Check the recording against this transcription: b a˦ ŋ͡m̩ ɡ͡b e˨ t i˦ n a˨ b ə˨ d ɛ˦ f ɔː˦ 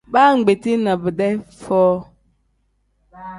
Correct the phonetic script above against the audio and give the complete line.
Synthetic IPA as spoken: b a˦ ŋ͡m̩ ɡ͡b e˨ t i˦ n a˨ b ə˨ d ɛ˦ f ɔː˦